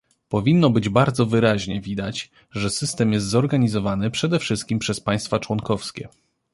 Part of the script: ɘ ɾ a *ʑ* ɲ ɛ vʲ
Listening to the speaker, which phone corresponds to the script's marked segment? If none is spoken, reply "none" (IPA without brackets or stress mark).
ʑ